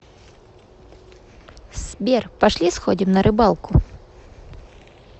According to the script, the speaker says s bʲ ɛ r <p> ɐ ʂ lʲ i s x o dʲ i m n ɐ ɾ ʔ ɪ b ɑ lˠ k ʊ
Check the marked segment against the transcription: correct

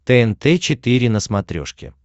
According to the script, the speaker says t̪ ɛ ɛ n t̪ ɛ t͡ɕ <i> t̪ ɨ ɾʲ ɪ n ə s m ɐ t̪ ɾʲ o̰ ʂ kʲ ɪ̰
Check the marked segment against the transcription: incorrect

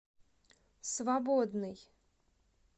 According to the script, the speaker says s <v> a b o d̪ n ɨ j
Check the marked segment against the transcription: correct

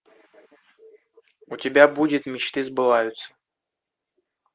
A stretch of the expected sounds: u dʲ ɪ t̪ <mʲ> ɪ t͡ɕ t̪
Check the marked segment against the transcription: correct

